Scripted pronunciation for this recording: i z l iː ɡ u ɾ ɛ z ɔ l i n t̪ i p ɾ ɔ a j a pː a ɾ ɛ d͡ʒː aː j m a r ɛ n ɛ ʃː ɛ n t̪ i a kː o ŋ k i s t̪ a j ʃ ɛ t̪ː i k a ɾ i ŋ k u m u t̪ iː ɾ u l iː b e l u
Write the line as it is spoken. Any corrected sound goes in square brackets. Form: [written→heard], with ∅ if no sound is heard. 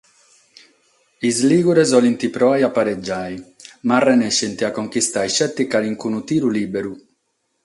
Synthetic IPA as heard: i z l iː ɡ u ɾ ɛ z ɔ l i n t̪ i p ɾ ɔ a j a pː a ɾ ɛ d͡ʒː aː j m a r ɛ n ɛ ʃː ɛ n t̪ i a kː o ŋ k i s t̪ a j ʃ ɛ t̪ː i k a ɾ i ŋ k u [m→n] u t̪ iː ɾ u l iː b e [l→ɾ] u